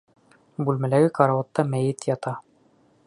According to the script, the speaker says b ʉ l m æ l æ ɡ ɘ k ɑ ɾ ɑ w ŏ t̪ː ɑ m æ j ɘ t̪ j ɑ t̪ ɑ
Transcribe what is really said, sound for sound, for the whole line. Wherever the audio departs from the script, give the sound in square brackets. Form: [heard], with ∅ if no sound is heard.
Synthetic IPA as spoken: b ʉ l m æ l æ ɡ ɘ k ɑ ɾ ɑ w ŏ t̪ː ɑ m æ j ɘ t̪ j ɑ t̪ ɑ